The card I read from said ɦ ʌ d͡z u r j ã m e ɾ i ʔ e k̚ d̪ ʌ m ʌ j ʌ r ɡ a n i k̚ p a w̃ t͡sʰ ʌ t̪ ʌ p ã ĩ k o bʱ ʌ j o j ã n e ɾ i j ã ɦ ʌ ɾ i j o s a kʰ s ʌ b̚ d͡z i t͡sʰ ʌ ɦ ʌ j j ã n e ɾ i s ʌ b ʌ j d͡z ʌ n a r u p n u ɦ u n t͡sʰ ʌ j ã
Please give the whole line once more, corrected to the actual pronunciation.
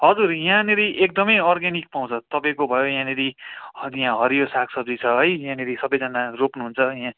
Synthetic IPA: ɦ ʌ d͡z u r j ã n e ɾ i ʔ e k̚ d̪ ʌ m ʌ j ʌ r ɡ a n i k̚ p a w̃ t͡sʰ ʌ t̪ ʌ p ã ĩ k o bʱ ʌ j o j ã n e ɾ i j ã ɦ ʌ ɾ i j o s a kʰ s ʌ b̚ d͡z i t͡sʰ ʌ ɦ ʌ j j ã n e ɾ i s ʌ b ʌ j d͡z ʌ n a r o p n u ɦ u n t͡sʰ ʌ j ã